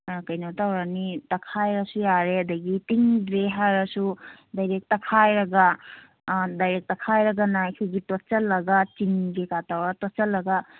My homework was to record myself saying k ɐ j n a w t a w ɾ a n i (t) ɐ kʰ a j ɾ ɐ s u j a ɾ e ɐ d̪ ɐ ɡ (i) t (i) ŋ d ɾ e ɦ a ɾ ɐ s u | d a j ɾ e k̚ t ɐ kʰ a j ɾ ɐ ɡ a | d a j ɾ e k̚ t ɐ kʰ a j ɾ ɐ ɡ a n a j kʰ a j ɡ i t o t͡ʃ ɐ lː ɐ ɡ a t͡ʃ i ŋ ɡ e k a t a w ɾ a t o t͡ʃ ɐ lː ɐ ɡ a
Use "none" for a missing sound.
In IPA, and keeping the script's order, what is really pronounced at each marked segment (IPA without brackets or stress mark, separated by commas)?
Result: t, i, i